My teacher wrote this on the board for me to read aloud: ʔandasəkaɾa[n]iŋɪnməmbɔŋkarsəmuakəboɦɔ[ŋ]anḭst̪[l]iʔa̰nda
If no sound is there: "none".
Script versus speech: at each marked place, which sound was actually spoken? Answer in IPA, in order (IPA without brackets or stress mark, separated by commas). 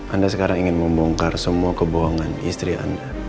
ŋ, ŋ, ɾ